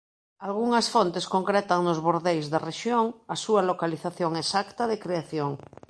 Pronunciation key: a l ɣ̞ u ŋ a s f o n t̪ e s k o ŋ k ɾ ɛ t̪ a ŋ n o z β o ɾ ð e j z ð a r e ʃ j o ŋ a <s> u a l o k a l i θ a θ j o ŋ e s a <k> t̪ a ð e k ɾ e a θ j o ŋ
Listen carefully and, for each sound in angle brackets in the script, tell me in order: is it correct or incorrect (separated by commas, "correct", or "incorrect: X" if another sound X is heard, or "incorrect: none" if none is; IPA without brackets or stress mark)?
correct, correct